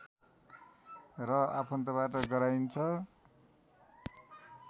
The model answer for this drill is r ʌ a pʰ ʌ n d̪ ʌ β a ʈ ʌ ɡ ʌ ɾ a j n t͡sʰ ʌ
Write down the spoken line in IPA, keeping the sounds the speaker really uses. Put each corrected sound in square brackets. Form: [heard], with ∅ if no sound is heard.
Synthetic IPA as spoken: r ʌ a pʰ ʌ n [t̪] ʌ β a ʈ ʌ ɡ ʌ ɾ a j n t͡sʰ ʌ

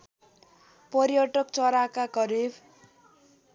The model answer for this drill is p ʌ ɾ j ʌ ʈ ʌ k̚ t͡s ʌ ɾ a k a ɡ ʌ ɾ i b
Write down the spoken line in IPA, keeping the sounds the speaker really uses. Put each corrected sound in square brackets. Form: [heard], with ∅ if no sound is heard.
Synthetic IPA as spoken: p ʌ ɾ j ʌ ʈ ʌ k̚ t͡s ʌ ɾ a k a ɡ ʌ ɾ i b

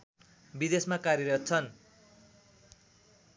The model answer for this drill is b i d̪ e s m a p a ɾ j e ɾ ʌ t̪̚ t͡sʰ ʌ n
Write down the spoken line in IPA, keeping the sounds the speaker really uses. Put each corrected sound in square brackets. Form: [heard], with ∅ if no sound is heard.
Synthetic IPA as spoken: b i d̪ e s m a [k] a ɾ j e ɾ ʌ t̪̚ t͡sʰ ʌ n

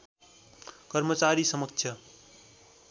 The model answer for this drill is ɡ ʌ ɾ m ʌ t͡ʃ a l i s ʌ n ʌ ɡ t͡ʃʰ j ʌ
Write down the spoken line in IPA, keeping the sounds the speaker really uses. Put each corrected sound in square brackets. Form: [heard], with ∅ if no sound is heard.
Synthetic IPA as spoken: [k] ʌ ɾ m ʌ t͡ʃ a [ɾ] i s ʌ [m] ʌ [k] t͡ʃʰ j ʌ

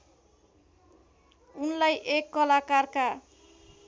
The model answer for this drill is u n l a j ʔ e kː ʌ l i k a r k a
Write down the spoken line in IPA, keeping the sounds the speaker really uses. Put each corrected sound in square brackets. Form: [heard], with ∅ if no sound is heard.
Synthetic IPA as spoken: u n l a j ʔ e kː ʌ l [a] k a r k a

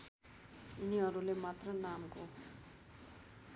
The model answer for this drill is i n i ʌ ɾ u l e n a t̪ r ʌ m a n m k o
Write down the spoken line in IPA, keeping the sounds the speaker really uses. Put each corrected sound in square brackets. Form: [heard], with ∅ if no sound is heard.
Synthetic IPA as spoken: i n i ʌ ɾ u l e [m] a t̪ r ʌ [n] a [∅] m k o

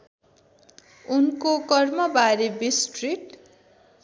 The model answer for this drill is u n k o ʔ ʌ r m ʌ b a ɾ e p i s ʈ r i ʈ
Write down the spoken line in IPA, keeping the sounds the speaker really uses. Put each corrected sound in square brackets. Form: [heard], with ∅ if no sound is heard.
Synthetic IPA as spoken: u n k o [k] ʌ r m ʌ b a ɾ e [b] i s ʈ r i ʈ

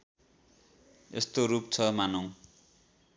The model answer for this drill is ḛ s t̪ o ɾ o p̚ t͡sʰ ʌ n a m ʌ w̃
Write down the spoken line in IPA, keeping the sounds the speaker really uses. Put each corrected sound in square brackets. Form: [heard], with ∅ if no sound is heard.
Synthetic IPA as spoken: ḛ s t̪ o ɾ [u] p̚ t͡sʰ ʌ [m] a [n] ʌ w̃

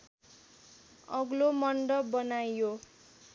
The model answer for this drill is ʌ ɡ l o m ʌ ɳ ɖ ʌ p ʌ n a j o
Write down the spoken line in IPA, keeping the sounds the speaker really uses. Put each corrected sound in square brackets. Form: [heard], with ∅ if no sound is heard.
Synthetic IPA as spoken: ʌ ɡ l o m ʌ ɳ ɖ ʌ [b] ʌ n a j o

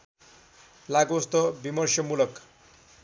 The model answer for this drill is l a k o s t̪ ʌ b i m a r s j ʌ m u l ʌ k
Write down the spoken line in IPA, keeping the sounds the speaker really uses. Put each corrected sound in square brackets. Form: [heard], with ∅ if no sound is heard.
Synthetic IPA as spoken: l a [ɡ] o s t̪ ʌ b i m [ʌ] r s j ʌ m u l ʌ k

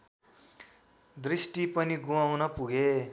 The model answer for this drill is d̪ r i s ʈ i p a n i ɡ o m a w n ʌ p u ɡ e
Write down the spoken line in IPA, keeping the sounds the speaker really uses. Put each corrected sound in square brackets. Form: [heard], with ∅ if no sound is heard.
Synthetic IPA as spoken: d̪ r i s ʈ i p [ʌ] n i ɡ [u] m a w n ʌ p u ɡ e

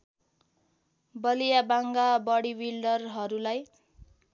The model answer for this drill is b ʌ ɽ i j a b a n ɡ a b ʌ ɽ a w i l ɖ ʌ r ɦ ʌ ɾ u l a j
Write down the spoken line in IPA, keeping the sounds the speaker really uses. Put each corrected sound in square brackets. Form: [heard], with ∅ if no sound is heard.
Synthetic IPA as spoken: b ʌ [l] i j a b a [ŋ] ɡ a b ʌ ɽ [i] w i l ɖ ʌ r ɦ ʌ ɾ u l a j

